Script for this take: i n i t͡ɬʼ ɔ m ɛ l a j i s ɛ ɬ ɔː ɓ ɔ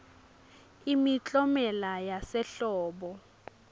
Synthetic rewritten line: i m i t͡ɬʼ ɔ m ɛ l a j a s ɛ ɬ ɔː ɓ ɔ